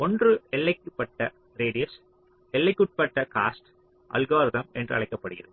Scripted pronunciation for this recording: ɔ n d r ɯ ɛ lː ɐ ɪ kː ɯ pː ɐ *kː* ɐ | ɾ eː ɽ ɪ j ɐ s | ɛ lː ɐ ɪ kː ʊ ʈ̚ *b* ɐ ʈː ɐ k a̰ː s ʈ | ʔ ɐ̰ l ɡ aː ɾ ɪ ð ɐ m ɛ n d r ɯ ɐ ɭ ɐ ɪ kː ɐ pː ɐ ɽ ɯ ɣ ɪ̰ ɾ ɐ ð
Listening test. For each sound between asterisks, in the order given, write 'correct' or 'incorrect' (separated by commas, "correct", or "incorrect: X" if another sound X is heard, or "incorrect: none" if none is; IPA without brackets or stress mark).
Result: incorrect: ʈː, incorrect: p